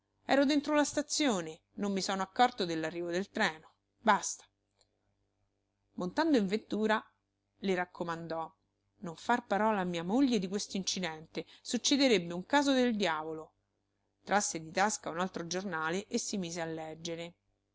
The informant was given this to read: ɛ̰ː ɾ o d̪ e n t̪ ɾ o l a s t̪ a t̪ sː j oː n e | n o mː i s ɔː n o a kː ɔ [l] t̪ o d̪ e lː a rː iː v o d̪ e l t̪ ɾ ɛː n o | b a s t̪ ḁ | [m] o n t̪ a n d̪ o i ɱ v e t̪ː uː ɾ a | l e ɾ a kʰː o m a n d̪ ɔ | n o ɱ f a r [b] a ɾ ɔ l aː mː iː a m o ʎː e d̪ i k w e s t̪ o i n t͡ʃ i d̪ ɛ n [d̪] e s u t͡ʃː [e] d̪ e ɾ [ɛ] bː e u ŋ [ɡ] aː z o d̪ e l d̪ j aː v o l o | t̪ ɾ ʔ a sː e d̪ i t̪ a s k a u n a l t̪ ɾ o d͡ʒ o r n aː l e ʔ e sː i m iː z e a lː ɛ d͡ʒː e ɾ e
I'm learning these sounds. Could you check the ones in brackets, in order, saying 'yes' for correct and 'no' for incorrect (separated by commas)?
no, yes, no, no, yes, no, no